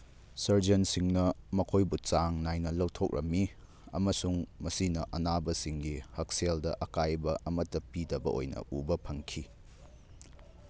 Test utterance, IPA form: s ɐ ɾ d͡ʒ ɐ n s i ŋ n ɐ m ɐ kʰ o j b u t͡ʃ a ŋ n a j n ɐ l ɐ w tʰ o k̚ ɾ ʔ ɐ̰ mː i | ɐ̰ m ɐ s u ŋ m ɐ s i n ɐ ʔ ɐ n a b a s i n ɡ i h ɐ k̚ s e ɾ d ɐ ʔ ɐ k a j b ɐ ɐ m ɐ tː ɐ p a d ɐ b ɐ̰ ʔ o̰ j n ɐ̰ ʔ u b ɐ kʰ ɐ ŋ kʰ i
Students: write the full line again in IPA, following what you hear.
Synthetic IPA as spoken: s ɐ ɾ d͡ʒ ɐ n s i ŋ n ɐ m ɐ kʰ o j b u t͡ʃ a ŋ n a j n ɐ l ɐ w tʰ o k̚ ɾ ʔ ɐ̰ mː i | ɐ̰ m ɐ s u ŋ m ɐ s i n ɐ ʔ ɐ n a b ɐ s i ŋ ɡ i h ɐ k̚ s e l d ɐ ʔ ɐ k a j b ɐ ɐ m ɐ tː ɐ p i d ɐ b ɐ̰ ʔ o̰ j n ɐ̰ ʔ u b ɐ pʰ ɐ ŋ kʰ i